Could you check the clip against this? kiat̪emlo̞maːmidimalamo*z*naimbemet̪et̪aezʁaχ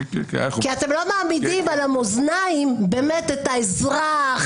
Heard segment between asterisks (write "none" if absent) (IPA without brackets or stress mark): z